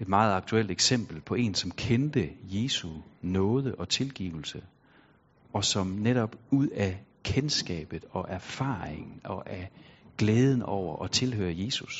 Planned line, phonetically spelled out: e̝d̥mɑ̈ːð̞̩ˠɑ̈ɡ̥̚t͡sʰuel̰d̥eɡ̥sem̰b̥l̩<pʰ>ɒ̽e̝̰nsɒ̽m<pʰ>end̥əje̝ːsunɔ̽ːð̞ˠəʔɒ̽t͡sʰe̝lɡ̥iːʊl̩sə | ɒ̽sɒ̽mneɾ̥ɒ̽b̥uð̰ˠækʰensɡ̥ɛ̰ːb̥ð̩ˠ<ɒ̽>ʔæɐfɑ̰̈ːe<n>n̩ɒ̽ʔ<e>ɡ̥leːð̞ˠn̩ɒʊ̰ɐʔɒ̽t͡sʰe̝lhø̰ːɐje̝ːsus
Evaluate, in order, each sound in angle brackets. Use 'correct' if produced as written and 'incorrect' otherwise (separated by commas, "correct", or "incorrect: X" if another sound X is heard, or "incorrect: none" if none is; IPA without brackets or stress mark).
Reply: correct, incorrect: kʰ, correct, incorrect: ŋ, incorrect: æ